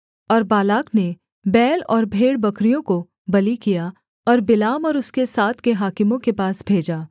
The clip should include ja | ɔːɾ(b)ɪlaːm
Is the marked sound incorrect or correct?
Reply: correct